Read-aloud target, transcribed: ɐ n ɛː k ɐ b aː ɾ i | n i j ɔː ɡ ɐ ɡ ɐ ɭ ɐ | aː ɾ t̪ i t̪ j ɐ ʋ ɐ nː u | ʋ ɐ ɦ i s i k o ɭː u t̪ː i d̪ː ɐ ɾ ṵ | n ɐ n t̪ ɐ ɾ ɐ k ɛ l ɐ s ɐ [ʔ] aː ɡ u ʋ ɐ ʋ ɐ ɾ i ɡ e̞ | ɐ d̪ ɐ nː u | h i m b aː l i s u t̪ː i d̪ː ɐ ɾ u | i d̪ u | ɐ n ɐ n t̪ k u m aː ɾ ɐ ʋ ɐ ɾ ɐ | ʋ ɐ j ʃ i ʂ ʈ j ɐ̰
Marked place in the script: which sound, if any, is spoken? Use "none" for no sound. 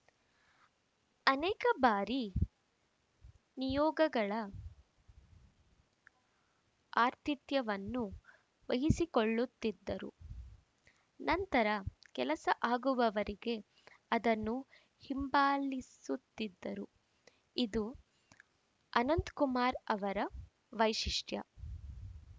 ʔ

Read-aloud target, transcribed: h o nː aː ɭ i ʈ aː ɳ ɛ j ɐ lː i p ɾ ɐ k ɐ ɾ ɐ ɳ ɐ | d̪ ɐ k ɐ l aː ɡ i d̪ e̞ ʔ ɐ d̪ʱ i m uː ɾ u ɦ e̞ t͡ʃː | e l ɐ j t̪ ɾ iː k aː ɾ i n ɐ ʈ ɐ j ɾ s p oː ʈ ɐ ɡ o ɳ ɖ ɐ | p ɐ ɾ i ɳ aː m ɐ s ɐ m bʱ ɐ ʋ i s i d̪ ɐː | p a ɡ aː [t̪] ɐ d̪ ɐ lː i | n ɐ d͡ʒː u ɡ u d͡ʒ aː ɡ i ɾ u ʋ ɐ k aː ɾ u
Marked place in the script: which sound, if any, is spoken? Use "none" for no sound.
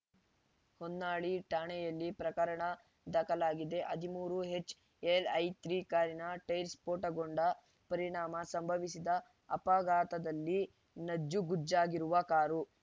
t̪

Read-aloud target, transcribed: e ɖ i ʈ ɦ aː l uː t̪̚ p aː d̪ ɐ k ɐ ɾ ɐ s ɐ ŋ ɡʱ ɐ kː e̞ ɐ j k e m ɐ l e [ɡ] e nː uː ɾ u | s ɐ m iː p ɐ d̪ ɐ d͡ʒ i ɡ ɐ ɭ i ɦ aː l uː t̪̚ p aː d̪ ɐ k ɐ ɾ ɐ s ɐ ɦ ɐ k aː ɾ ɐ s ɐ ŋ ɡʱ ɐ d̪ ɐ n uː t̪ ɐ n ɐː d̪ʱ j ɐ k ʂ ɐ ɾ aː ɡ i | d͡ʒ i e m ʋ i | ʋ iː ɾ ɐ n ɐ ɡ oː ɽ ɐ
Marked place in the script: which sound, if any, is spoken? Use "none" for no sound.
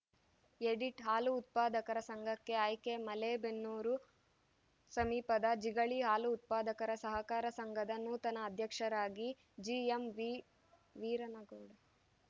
b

